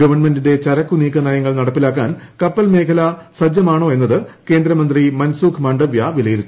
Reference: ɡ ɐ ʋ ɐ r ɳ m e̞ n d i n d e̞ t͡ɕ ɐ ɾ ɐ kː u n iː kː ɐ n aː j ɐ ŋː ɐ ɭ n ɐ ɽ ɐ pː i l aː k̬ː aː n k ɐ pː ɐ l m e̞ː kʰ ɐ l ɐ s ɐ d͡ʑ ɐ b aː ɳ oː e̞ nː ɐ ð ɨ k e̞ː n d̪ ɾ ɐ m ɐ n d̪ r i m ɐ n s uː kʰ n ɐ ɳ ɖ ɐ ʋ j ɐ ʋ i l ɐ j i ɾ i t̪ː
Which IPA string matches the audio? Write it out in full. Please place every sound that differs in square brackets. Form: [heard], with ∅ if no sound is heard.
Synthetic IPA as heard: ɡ ɐ ʋ ɐ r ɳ m e̞ n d i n d e̞ t͡ɕ ɐ ɾ ɐ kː u n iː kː ɐ n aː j ɐ ŋː ɐ ɭ n ɐ ɽ ɐ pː i l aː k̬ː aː n k ɐ pː ɐ l m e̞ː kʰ ɐ l ɐ s ɐ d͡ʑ ɐ [m] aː ɳ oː e̞ nː ɐ ð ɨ k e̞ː n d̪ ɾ ɐ m ɐ n d̪ r i m ɐ n s uː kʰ [m] ɐ ɳ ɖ ɐ ʋ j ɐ ʋ i l ɐ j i ɾ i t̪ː